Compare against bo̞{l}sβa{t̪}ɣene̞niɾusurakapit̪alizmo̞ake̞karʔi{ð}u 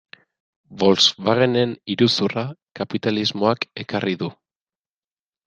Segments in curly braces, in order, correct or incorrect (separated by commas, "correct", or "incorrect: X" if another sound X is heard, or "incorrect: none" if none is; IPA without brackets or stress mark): correct, incorrect: none, correct